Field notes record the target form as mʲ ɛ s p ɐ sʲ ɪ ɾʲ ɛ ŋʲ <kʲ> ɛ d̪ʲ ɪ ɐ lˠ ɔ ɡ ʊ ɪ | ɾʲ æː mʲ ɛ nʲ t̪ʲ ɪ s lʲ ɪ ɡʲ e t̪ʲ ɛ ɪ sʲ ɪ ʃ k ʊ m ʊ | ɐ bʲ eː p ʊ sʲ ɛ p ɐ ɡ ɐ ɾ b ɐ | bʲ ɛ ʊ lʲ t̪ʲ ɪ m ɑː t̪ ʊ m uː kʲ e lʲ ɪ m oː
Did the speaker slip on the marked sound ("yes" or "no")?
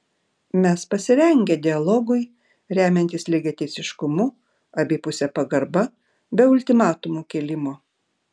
yes